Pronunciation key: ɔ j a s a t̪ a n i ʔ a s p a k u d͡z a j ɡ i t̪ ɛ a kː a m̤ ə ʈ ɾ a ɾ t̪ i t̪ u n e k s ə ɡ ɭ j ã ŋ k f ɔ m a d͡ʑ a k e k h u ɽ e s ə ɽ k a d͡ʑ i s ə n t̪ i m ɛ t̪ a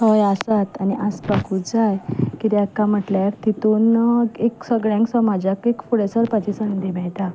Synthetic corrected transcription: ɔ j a s a t̪ a n i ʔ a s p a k u d͡z a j k i t̪ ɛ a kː a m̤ ə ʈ l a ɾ t̪ i t̪ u n e k s ə ɡ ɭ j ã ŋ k s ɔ m a d͡ʑ a k e k f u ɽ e s ə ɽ p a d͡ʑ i s ə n d̪ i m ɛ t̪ a